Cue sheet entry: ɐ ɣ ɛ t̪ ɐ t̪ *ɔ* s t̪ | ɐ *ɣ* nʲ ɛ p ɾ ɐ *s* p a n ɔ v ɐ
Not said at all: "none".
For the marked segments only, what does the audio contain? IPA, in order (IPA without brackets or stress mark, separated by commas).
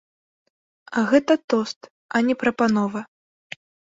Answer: ɔ, none, none